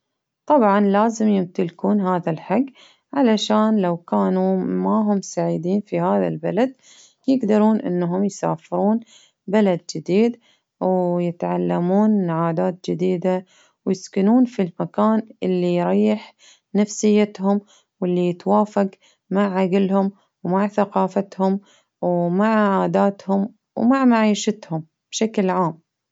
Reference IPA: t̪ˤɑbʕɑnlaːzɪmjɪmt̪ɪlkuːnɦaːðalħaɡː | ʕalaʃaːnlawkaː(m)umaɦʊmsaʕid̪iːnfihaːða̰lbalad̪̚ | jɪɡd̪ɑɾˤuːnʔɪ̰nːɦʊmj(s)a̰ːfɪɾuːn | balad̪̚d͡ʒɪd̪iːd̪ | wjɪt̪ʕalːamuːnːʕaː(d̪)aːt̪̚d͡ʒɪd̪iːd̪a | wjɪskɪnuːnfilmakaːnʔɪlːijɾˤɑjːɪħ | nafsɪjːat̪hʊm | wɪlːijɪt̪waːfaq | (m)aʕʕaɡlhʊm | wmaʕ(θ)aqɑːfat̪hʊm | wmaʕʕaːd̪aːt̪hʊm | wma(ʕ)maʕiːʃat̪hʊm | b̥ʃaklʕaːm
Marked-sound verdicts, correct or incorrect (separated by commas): incorrect, correct, correct, correct, correct, correct